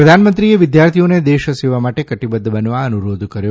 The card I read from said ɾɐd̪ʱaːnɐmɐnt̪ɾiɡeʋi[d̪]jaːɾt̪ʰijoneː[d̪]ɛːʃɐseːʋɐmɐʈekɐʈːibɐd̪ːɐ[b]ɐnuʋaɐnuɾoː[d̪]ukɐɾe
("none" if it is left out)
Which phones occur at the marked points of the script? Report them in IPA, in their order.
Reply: d̪, d̪, b, d̪

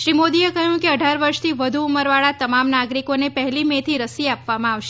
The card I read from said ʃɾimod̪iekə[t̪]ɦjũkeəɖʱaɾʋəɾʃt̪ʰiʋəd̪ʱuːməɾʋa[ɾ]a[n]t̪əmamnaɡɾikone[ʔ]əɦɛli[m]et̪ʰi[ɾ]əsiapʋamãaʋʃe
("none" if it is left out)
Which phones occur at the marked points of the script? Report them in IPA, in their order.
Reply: none, ɭ, none, p, m, ɾ

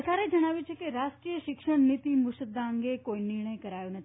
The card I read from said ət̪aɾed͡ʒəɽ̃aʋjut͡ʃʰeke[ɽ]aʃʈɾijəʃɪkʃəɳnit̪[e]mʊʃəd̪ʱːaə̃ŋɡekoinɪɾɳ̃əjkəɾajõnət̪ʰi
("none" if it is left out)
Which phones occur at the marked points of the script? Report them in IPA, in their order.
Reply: ɾ, i

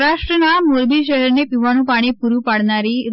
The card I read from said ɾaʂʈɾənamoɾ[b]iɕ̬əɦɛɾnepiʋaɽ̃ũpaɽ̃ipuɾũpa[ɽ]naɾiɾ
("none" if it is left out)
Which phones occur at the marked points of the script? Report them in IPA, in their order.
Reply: b, ɽ

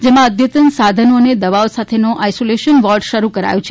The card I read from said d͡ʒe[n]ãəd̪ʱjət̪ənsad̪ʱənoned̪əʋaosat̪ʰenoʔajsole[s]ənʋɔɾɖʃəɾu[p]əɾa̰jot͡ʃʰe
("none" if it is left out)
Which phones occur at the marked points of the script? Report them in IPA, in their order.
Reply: m, ʃ, k

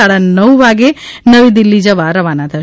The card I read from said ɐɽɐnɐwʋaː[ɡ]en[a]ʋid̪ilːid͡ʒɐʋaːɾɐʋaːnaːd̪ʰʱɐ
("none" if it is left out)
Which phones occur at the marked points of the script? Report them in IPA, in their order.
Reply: ɡ, ɐ

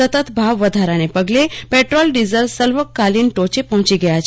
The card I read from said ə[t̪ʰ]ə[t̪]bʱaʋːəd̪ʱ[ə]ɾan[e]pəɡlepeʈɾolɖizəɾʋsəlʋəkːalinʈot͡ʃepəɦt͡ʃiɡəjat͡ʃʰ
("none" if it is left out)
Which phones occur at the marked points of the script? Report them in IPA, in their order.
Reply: t̪, t̪, a, e

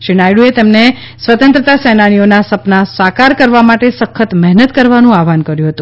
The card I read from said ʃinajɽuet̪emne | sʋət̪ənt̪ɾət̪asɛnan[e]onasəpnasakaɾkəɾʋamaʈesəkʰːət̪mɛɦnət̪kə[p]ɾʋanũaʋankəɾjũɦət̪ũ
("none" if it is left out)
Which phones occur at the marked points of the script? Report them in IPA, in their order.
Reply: i, none

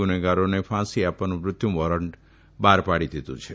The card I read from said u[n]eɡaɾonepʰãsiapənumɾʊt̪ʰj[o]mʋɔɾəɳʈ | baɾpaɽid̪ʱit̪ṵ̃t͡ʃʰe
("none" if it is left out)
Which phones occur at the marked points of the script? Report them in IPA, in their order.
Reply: n, u

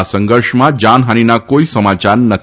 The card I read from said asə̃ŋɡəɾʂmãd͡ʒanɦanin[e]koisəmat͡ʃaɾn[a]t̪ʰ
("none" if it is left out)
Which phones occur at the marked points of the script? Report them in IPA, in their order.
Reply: a, ə

